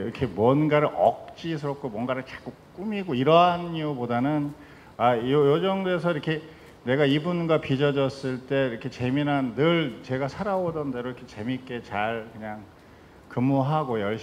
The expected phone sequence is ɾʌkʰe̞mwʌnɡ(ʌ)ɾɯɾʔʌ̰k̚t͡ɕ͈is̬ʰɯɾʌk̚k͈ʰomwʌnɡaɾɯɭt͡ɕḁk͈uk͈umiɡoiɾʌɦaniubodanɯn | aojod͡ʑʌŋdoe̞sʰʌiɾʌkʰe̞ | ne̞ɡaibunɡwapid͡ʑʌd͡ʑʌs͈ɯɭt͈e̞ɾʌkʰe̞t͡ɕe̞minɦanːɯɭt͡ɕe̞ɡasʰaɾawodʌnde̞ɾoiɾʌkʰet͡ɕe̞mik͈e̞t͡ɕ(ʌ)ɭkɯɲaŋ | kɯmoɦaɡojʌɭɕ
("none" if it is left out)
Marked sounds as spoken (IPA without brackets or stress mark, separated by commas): a, a